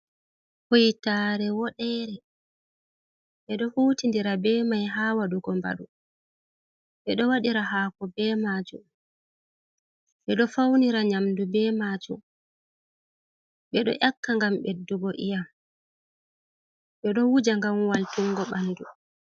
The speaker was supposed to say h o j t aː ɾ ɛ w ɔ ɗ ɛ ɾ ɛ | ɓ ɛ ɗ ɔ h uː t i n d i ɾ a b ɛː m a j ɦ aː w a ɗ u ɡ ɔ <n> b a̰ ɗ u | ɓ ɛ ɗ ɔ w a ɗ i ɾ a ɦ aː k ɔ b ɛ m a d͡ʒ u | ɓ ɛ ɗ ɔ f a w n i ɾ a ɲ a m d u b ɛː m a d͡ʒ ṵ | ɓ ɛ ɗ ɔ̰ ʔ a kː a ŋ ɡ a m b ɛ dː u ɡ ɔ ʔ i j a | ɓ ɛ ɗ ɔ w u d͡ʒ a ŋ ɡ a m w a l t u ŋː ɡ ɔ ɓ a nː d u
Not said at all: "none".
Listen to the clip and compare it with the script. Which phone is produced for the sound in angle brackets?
m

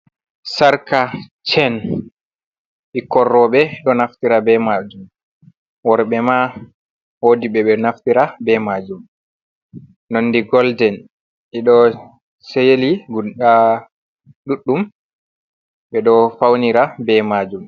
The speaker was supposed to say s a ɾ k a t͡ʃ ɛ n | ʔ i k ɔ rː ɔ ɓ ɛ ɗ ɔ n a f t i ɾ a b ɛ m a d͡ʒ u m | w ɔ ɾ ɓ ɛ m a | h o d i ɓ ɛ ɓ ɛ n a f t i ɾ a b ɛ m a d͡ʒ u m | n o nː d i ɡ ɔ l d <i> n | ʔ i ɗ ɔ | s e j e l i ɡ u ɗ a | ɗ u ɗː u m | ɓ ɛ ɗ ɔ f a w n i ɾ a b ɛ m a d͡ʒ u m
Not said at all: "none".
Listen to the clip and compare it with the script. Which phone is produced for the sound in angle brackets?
ɛ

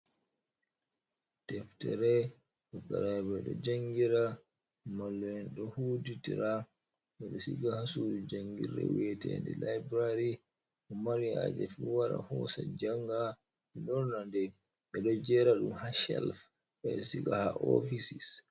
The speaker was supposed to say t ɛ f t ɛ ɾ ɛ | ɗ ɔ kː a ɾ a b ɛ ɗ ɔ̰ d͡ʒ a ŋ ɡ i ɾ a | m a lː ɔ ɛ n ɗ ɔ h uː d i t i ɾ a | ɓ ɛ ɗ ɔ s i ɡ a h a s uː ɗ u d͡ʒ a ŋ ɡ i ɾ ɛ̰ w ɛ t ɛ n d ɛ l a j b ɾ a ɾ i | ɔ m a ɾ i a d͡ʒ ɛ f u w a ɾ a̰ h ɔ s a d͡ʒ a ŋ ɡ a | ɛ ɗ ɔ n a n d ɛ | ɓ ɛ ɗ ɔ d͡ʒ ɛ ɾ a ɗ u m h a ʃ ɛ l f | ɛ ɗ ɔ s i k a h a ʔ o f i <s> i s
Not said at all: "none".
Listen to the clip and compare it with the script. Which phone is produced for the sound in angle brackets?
s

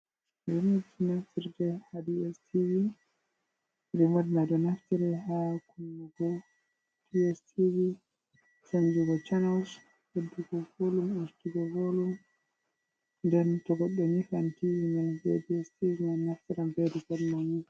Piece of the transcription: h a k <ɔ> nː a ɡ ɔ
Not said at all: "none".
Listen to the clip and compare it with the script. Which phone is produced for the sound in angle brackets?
u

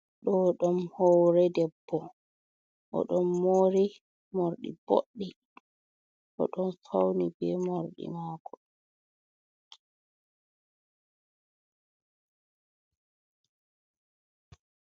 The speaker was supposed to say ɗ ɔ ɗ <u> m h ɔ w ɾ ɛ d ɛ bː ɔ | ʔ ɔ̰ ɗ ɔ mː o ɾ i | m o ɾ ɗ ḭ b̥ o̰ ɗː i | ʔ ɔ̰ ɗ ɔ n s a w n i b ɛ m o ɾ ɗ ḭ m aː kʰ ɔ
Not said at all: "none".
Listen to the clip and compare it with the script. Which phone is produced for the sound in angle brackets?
ɔ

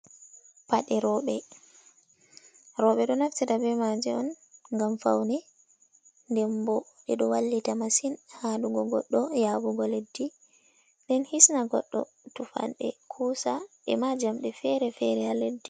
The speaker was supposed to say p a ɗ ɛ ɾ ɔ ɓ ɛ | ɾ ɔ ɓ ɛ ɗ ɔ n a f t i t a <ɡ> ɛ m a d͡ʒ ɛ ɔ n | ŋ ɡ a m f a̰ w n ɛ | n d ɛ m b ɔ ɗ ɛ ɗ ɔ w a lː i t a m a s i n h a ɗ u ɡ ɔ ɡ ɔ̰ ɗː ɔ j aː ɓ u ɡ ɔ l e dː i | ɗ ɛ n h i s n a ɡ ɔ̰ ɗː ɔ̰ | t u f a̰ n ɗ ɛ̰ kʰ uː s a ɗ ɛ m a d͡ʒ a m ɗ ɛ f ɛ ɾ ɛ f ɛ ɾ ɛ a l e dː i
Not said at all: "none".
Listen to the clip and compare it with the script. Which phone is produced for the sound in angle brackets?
b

